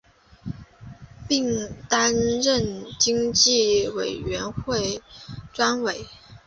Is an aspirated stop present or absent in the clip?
absent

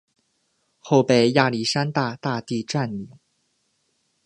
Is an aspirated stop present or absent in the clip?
absent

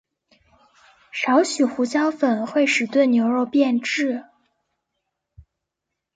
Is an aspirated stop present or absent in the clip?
absent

